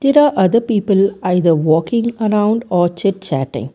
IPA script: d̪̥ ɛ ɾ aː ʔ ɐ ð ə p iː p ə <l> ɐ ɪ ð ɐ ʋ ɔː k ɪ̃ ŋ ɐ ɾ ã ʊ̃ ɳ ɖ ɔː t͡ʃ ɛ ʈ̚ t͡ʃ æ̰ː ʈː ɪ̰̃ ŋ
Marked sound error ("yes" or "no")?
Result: no